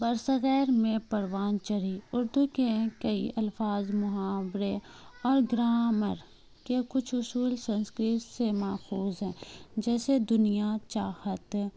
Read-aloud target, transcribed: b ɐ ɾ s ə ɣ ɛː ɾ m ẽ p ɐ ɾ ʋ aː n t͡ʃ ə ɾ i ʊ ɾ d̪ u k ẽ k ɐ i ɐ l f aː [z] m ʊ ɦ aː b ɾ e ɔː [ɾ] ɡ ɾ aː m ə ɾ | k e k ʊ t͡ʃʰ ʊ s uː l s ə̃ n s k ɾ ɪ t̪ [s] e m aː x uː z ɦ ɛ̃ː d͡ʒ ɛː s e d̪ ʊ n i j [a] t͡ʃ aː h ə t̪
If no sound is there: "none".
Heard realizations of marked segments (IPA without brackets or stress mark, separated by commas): z, ɾ, s, a